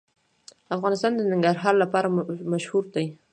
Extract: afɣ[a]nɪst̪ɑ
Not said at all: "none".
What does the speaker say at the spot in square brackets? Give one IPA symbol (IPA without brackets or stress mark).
ɑ